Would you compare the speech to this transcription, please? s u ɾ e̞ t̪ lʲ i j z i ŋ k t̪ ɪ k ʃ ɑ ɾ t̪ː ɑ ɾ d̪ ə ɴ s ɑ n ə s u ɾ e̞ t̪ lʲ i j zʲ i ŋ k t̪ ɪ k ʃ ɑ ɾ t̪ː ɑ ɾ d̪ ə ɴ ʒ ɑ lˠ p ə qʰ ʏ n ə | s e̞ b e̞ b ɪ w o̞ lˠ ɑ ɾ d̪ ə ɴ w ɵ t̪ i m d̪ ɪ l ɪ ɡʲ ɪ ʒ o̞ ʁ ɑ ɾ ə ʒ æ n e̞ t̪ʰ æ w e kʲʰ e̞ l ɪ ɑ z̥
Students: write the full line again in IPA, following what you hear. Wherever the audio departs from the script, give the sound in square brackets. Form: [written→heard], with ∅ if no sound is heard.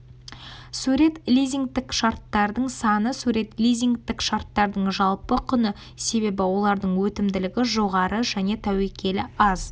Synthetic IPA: s u ɾ e̞ t̪ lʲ i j z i ŋ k t̪ ɪ k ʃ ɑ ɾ t̪ː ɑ ɾ d̪ ə ɴ s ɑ n ə s u ɾ e̞ t̪ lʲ i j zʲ i ŋ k t̪ ɪ k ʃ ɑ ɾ t̪ː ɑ ɾ d̪ ə ɴ ʒ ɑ lˠ p ə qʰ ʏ n ə | s e̞ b e̞ b ɪ w o̞ lˠ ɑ ɾ d̪ ə ɴ w ɵ t̪ [i→ɪ] m d̪ ɪ l ɪ ɡʲ ɪ ʒ o̞ ʁ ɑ ɾ ə ʒ æ n e̞ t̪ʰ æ w e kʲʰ e̞ l ɪ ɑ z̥